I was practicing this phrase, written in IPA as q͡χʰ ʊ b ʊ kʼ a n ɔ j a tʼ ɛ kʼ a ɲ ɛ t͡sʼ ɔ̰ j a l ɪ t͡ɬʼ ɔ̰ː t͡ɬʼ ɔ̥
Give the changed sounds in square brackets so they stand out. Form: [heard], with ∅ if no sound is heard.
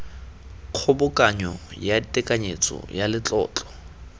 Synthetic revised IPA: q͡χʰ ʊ b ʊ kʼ a [ɲ] ɔ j a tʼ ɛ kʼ a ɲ [e] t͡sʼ ɔ̰ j a l ɪ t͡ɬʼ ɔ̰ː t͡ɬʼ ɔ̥